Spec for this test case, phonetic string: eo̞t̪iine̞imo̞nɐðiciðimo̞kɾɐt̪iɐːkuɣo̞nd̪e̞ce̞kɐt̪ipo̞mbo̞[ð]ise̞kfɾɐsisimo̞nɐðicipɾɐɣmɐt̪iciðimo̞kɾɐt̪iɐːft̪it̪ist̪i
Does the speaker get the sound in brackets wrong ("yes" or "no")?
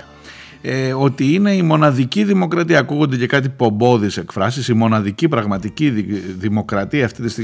no